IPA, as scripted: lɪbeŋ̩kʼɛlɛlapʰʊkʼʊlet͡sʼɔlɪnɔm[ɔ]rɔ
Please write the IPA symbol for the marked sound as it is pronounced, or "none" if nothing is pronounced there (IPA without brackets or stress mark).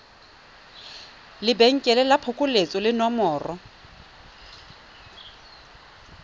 ɔː